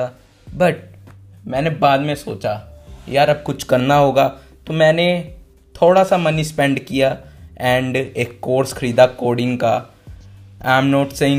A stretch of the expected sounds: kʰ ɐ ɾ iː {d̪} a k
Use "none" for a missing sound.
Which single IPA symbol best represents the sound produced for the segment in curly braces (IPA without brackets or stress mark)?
d̪